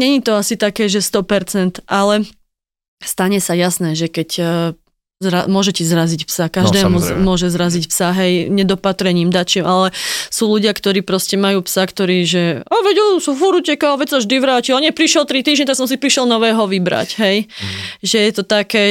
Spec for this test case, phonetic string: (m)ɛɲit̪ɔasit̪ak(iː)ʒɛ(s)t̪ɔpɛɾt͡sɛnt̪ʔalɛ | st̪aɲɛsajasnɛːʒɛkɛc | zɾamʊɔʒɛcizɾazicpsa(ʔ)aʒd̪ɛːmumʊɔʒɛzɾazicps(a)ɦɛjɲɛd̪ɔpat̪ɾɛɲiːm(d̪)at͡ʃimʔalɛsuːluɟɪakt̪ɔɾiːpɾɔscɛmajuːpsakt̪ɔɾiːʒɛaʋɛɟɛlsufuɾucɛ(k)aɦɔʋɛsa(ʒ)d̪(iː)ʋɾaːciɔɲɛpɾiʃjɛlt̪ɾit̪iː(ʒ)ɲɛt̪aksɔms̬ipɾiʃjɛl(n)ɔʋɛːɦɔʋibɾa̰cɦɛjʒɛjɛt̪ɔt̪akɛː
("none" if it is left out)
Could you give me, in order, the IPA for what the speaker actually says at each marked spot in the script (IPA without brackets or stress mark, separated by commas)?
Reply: ɲ, ɛː, s, k, a, d̪, k, ʒ, i, ʒ, n